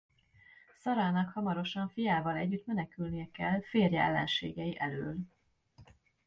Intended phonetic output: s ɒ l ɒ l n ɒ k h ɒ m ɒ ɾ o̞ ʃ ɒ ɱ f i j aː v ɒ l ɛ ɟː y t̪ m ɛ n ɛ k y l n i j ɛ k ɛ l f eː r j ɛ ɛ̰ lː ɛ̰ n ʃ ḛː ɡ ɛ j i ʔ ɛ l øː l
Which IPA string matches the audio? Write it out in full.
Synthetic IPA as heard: s ɒ ɾ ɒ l n ɒ k h ɒ m ɒ ɾ o̞ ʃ ɒ ɱ f i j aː v ɒ l ɛ ɟː y t̪ m ɛ n ɛ k y l n i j ɛ k ɛ l f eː r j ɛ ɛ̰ lː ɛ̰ n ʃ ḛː ɡ ɛ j i ʔ ɛ l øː l

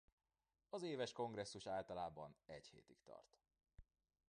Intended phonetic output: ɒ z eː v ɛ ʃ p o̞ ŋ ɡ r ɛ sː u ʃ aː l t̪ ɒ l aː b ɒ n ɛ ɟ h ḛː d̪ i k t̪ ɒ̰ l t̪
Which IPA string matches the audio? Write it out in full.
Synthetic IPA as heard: ɒ z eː v ɛ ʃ k o̞ ŋ ɡ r ɛ sː u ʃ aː l t̪ ɒ l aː b ɒ n ɛ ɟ h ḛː t̪ i k t̪ ɒ̰ r t̪

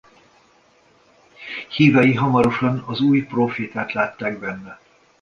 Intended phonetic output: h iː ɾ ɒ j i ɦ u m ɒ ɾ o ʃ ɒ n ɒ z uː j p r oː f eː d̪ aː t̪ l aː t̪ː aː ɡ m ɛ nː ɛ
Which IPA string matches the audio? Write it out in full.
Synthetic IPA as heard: h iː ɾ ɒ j i ɦ ɒ m ɒ ɾ o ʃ ɒ n ɒ z uː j p r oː f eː t̪ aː t̪ l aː t̪ː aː ɡ b ɛ nː ɛ

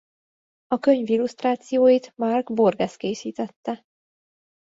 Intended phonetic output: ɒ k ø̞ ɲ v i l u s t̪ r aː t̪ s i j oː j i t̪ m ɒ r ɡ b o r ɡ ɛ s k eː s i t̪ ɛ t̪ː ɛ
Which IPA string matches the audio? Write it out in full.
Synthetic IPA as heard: ɒ k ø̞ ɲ v i l u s t̪ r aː t̪ s i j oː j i t̪ m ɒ r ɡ b o r ɡ ɛ s k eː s iː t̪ ɛ t̪ː ɛ

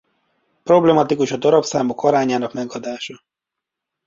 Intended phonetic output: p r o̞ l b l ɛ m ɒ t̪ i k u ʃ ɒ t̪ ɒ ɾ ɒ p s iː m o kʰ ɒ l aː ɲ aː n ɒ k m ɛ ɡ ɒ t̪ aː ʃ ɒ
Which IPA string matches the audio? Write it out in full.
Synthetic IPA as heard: p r o̞ b l ɛ m ɒ t̪ i k u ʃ ɒ d̪ ɒ ɾ ɒ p s aː m o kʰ ɒ ɾ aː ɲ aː n ɒ k m ɛ ɡ ɒ d̪ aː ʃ ɒ

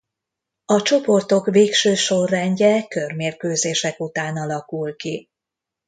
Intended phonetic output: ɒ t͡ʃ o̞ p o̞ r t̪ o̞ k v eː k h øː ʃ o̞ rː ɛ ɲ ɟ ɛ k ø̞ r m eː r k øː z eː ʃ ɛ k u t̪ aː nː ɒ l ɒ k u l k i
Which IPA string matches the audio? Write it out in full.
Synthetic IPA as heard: ɒ t͡ʃ o̞ p o̞ r t̪ o̞ k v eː k ʃ øː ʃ o̞ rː ɛ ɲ ɟ ɛ k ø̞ r m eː r k øː z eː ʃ ɛ k u t̪ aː n ɒ l ɒ k u l k i

